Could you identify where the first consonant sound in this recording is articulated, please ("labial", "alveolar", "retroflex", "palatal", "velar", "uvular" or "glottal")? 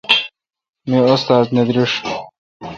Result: labial